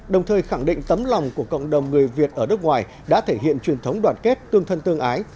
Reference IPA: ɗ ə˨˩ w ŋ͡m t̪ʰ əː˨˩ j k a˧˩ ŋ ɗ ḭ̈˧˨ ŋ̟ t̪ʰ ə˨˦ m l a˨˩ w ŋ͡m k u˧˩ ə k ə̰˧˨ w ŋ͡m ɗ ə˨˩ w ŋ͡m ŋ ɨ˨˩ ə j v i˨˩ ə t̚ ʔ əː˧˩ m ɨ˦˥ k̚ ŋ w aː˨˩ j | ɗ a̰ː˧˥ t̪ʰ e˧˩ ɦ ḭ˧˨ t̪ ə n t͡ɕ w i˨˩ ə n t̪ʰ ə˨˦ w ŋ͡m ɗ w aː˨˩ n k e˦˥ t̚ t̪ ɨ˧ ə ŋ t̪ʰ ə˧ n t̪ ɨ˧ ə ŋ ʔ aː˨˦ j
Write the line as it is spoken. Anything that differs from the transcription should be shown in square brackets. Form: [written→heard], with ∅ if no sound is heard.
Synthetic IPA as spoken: ɗ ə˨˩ w ŋ͡m t̪ʰ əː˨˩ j [k→x] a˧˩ ŋ ɗ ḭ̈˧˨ ŋ̟ [t̪ʰ→t̪] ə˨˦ m l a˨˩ w ŋ͡m k u˧˩ ə k ə̰˧˨ w ŋ͡m ɗ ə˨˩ w ŋ͡m ŋ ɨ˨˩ ə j v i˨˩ ə t̚ ʔ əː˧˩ [m→n] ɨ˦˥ k̚ ŋ w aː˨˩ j | ɗ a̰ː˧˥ t̪ʰ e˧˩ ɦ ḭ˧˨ [t̪→∅] ə n t͡ɕ w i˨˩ ə n t̪ʰ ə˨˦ w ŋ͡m ɗ w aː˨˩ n k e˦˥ t̚ t̪ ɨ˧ ə ŋ t̪ʰ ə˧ n t̪ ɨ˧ ə ŋ ʔ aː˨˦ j